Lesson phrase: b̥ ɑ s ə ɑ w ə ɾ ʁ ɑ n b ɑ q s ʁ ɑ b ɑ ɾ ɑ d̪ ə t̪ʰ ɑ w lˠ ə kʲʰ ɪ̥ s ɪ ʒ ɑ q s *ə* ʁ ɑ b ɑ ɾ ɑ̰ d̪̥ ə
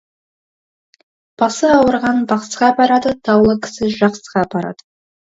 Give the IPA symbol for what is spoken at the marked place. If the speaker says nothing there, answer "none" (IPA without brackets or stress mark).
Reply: ə